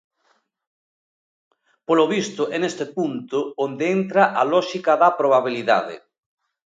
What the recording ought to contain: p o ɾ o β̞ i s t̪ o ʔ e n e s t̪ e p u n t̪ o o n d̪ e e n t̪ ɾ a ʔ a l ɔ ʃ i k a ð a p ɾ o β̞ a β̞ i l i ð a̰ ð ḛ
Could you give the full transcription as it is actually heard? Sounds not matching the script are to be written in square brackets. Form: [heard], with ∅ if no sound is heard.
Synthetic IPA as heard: p o [l] o β̞ i s t̪ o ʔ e n e s t̪ e p u n t̪ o o n d̪ e e n t̪ ɾ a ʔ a l ɔ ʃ i k a ð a p ɾ o β̞ a β̞ i l i ð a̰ ð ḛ